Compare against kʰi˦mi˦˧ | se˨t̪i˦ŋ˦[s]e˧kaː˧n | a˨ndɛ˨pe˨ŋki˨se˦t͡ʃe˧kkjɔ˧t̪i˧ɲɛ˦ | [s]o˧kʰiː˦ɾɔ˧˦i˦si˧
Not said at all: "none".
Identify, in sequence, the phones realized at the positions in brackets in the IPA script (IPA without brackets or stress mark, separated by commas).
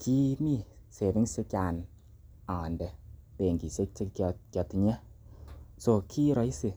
s, s